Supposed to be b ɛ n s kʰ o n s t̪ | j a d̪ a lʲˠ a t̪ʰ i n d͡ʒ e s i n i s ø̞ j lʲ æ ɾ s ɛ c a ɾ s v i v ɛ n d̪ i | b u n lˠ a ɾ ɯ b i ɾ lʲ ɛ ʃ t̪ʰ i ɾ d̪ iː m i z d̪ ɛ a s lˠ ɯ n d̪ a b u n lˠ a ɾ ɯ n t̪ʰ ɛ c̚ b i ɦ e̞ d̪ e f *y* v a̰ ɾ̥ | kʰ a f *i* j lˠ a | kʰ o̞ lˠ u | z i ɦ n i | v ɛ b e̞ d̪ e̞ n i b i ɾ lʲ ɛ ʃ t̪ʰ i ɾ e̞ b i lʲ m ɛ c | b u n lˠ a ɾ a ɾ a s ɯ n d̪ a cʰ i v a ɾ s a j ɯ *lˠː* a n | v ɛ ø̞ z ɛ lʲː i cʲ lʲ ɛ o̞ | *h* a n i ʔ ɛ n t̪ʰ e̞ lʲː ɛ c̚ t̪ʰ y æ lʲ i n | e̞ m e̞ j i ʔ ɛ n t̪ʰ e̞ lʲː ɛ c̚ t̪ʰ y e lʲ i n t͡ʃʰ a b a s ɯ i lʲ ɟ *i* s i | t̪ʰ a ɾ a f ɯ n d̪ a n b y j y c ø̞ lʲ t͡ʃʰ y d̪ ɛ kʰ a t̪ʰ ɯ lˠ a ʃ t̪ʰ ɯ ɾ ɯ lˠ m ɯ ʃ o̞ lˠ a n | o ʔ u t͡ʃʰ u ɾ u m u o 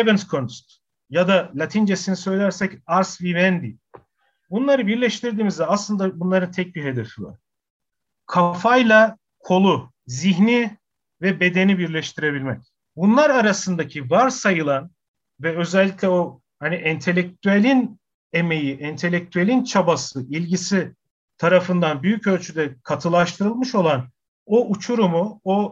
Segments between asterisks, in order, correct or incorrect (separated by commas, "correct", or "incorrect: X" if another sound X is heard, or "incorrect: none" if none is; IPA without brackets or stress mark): incorrect: i, incorrect: a, incorrect: lˠ, correct, correct